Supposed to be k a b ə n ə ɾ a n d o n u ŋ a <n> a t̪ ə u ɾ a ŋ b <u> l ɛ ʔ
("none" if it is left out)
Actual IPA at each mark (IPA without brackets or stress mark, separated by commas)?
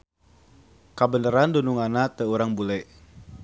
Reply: n, u